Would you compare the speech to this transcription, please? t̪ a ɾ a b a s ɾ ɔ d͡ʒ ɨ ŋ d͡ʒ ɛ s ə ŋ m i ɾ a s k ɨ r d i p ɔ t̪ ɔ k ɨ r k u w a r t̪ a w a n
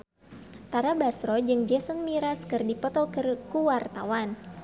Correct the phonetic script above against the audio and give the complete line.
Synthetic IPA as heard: t̪ a ɾ a b a s ɾ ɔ d͡ʒ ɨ ŋ d͡ʒ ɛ s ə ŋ m i ɾ a s k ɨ r d i p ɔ t̪ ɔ k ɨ r k u w a r t̪ a w a n